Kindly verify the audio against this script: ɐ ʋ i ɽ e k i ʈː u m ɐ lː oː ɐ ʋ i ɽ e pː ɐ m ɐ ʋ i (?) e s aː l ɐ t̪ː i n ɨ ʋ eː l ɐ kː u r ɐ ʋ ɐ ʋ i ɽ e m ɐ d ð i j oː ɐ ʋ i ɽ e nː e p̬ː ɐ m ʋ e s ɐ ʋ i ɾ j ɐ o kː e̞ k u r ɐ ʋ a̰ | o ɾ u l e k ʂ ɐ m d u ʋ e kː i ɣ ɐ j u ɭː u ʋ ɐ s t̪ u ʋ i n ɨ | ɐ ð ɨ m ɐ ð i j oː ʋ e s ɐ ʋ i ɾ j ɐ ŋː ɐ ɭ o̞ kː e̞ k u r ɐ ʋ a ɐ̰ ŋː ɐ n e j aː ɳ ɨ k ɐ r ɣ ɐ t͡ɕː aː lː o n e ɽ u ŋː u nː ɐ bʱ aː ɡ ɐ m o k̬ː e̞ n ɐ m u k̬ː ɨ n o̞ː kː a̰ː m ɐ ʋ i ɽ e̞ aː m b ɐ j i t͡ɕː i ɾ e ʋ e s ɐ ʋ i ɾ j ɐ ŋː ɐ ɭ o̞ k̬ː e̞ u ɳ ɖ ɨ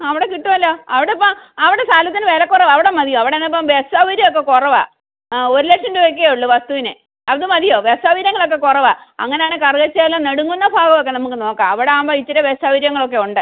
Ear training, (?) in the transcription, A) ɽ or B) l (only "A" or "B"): A